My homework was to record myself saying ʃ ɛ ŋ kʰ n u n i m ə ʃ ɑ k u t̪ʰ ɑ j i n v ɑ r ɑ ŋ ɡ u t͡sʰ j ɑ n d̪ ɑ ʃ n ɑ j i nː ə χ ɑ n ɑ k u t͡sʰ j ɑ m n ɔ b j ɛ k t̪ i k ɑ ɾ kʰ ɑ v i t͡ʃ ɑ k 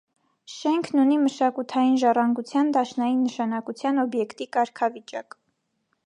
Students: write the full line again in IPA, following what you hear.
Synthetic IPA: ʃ ɛ ŋ kʰ n u n i m ə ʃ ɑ k u t̪ʰ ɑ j i n ʒ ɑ r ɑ ŋ ɡ u t͡sʰ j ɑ n d̪ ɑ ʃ n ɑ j i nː ə ʃ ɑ n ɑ k u t͡sʰ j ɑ n ɔ b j ɛ k t̪ i k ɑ ɾ kʰ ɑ v i t͡ʃ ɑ k